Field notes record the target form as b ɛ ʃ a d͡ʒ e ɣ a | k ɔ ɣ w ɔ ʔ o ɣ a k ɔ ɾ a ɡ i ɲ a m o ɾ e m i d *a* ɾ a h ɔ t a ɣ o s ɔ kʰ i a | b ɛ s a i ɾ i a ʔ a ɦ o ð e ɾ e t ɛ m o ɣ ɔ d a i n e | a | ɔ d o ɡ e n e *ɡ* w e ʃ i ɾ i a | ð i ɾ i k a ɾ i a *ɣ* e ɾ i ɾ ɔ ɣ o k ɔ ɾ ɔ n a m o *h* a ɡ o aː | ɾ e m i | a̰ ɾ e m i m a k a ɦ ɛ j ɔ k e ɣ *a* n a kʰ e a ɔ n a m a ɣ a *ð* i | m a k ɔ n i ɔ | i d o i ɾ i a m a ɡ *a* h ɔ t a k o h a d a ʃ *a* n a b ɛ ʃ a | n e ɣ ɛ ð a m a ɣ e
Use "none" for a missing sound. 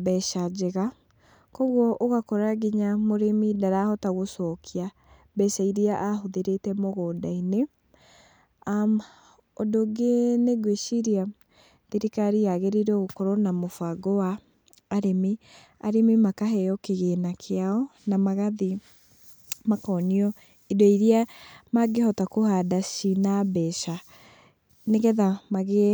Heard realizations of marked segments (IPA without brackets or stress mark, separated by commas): a, ɡ, ɣ, f, e, ð, e, i